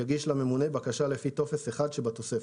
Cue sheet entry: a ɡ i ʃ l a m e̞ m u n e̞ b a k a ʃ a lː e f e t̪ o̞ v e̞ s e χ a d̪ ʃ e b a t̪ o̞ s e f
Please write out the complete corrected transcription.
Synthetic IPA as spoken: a ɡ i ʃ l a m e̞ m u n e̞ b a k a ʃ a l e f i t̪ o̞ f e̞ s e χ a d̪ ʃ e b a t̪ o̞ s e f